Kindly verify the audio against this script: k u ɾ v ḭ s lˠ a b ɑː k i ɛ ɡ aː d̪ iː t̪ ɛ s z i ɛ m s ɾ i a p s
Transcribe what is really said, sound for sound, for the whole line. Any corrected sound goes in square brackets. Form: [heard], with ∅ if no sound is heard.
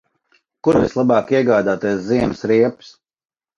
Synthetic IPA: k u ɾ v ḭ s lˠ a b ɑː k i ɛ ɡ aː d̪ [aː] t̪ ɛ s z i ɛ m s ɾ i [ɛ] p s